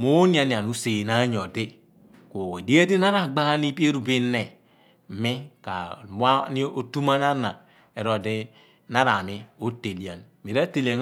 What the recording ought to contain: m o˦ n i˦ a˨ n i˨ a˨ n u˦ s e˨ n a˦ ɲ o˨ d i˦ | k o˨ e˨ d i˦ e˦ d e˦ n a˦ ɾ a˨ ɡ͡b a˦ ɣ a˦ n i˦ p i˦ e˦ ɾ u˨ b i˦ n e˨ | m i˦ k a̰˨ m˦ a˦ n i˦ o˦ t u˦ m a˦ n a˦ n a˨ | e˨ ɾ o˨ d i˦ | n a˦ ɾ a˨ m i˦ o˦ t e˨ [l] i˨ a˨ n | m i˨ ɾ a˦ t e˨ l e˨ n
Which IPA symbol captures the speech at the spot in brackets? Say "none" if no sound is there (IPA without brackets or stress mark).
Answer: l